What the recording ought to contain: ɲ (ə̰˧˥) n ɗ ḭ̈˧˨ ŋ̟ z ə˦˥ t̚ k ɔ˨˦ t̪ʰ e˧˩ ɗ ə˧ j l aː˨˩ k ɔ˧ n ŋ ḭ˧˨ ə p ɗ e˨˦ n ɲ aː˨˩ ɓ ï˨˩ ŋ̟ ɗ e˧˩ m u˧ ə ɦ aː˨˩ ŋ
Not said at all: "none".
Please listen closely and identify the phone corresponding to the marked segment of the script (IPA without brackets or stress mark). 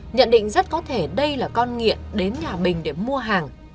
ə̰˧˨